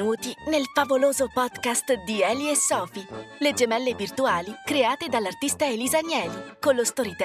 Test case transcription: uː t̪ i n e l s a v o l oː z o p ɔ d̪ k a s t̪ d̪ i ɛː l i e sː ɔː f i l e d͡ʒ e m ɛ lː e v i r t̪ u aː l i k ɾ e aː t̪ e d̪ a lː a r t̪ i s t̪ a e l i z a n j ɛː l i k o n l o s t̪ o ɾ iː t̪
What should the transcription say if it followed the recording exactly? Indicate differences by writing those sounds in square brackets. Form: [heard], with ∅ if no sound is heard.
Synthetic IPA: uː t̪ i n e l [f] a v o l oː z o p ɔ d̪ k a s t̪ d̪ i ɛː l i e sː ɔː f i l e d͡ʒ e m ɛ lː e v i r t̪ u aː l i k ɾ e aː t̪ e d̪ a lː a r t̪ i s t̪ a e l i z a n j ɛː l i k o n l o s t̪ o ɾ [i] t̪